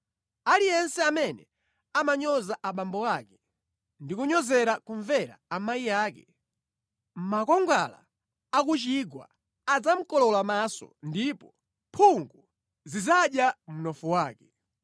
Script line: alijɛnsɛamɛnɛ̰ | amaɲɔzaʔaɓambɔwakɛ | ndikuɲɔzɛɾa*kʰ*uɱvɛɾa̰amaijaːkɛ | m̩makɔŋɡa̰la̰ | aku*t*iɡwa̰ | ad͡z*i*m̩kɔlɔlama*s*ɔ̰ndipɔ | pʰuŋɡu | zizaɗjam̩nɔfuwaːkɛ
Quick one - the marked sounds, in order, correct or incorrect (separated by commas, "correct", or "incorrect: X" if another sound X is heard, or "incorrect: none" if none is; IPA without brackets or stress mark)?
incorrect: k, incorrect: t͡ʃ, incorrect: a, correct